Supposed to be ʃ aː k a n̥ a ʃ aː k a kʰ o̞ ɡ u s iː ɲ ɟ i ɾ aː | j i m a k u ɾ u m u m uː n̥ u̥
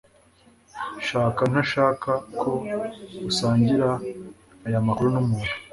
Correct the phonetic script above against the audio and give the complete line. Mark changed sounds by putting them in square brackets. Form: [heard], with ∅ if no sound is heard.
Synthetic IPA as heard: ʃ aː k a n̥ a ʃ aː k a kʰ o̞ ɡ u s [aː] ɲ ɟ i ɾ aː | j [a] m a k u ɾ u [n] u m uː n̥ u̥